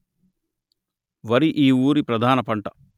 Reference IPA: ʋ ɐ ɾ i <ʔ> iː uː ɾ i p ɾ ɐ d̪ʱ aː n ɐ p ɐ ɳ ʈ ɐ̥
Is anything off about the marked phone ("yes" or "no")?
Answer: no